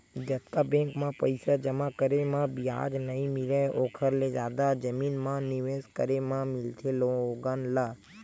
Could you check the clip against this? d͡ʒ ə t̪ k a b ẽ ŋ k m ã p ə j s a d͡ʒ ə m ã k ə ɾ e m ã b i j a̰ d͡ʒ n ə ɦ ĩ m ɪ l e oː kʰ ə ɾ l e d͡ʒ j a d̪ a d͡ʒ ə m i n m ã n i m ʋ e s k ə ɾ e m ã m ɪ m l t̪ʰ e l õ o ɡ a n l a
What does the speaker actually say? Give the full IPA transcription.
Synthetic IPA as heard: d͡ʒ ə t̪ k a b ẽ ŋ k m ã p ə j s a d͡ʒ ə m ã k ə ɾ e m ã b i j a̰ d͡ʒ n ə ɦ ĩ m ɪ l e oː kʰ ə ɾ l e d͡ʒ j a d̪ a d͡ʒ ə m i n m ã n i ʋ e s k ə ɾ e m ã m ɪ l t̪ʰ e l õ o ɡ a n l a